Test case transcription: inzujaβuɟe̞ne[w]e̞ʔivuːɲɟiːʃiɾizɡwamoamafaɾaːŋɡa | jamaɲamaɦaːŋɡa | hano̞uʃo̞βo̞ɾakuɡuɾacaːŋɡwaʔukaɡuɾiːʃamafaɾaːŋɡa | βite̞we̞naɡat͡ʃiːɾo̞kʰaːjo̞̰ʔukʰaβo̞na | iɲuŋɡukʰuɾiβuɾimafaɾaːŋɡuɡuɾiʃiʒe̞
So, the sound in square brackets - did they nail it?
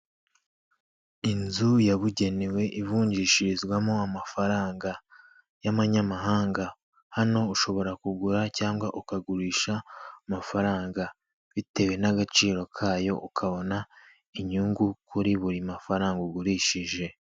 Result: yes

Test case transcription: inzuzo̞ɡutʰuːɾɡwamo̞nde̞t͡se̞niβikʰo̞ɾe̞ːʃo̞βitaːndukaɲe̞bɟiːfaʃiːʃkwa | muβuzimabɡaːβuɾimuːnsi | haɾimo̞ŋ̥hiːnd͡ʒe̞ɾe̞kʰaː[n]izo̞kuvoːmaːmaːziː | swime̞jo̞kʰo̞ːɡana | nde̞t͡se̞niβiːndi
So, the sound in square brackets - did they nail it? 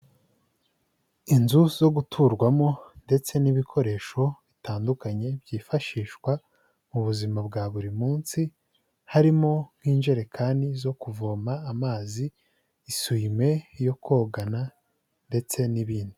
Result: yes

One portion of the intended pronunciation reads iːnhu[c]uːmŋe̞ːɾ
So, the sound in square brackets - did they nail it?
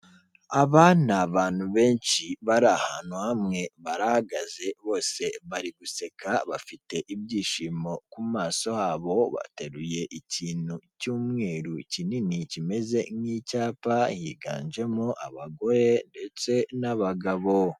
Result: yes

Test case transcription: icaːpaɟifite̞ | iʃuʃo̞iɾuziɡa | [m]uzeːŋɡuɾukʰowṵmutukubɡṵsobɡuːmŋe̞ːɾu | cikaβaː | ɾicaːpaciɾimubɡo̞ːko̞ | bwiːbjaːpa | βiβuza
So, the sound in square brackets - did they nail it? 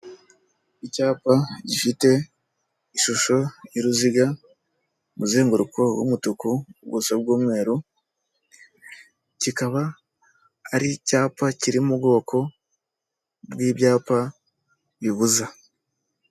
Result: yes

